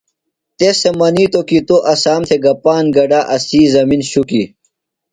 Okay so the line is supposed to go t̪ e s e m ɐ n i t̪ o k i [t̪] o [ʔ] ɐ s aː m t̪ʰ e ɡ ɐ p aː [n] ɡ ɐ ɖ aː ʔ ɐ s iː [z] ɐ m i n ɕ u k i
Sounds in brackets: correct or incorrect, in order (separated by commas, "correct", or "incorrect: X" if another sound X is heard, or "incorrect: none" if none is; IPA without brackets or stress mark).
correct, correct, correct, correct